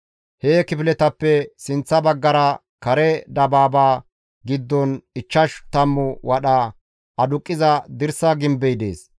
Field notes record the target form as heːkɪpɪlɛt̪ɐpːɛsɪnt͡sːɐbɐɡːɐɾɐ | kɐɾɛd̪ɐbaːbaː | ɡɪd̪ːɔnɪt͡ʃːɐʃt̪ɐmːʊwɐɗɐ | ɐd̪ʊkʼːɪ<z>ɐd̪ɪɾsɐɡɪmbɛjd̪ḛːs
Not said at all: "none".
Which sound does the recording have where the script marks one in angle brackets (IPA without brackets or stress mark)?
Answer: z